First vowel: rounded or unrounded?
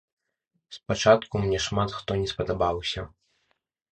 unrounded